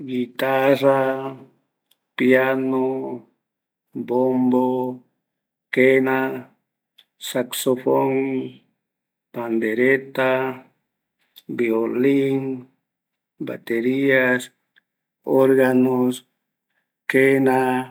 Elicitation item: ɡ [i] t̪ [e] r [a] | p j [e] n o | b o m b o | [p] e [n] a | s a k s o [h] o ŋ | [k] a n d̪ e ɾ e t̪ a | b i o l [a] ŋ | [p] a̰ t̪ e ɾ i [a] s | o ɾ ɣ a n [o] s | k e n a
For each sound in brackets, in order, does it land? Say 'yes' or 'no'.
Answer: yes, no, yes, no, no, yes, no, no, no, no, yes, yes

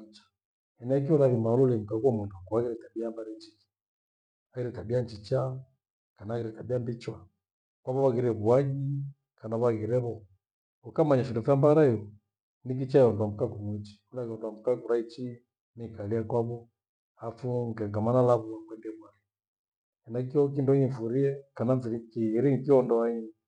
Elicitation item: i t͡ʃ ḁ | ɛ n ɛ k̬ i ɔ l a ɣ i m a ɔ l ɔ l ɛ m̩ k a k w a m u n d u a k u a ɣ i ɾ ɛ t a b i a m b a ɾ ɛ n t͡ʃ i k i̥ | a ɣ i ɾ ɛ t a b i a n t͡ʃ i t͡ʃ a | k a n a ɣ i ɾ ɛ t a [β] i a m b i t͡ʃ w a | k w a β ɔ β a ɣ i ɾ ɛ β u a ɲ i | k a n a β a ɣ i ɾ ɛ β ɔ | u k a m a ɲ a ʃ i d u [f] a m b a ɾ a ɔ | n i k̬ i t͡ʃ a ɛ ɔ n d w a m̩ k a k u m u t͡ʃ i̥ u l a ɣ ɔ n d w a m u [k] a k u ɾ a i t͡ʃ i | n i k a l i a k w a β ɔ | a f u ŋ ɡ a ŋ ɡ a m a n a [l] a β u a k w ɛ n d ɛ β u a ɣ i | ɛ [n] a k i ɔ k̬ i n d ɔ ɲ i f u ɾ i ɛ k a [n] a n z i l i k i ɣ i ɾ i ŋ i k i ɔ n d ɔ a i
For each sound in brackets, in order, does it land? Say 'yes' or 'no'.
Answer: no, yes, yes, yes, yes, yes

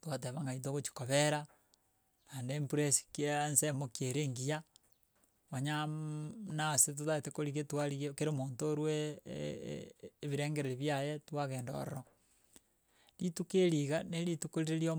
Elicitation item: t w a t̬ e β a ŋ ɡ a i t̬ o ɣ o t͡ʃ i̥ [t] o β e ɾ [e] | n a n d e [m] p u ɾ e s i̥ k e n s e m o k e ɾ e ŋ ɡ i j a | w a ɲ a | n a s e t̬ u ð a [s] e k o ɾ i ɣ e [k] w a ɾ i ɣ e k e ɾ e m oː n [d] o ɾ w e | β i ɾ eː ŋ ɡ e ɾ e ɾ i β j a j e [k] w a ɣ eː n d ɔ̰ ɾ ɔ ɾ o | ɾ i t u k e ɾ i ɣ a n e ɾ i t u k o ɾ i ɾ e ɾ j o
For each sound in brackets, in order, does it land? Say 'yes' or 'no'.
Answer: no, no, yes, no, no, no, no

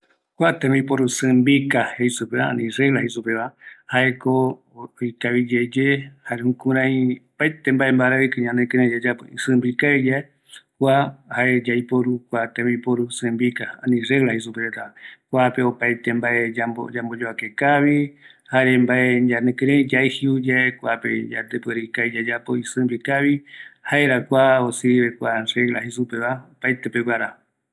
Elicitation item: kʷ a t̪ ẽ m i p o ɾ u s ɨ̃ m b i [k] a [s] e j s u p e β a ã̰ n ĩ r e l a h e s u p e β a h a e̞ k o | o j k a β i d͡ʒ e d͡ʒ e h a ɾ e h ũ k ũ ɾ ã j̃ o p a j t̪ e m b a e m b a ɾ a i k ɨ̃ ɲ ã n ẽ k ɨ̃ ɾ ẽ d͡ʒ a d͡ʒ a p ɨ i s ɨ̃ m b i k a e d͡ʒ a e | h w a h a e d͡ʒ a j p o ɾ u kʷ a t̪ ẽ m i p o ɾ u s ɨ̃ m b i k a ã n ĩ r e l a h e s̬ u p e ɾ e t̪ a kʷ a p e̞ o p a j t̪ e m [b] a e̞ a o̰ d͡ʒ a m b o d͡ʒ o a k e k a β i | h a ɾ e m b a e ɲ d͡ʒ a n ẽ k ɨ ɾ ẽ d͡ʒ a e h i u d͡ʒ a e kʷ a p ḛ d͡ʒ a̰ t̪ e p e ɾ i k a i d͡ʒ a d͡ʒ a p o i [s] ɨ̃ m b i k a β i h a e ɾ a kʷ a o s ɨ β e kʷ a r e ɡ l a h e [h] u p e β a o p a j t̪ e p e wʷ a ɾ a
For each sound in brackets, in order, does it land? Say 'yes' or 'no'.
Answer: yes, no, yes, yes, no

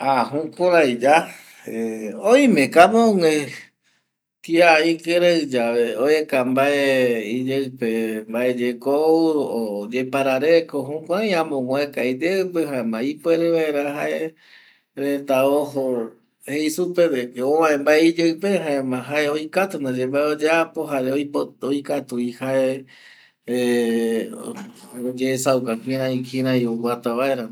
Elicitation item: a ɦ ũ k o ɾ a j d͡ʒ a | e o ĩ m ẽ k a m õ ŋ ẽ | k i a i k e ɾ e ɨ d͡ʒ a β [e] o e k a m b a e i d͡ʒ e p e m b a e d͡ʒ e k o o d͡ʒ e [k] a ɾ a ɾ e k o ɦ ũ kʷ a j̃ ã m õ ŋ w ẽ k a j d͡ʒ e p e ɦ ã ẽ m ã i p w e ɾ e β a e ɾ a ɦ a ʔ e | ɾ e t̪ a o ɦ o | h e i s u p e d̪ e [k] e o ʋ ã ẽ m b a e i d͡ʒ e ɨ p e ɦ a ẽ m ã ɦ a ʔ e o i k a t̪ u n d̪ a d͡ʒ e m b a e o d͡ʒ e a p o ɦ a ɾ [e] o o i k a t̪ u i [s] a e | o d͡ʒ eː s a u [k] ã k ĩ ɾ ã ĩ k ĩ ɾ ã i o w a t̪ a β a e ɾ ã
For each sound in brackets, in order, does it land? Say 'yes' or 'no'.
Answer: yes, no, yes, yes, no, yes

